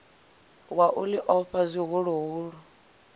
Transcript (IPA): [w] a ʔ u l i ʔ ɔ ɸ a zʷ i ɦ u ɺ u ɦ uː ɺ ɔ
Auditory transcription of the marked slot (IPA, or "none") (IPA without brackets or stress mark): w